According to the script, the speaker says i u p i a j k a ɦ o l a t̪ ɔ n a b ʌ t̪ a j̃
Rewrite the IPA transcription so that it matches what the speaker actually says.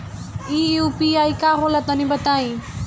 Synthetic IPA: i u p i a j k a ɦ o l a t̪ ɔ n i b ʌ t̪ a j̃